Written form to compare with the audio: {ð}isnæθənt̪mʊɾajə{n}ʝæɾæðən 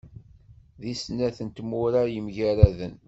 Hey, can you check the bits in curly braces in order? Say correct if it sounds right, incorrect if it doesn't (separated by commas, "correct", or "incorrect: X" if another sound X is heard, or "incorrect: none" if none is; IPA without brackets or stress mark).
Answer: correct, incorrect: m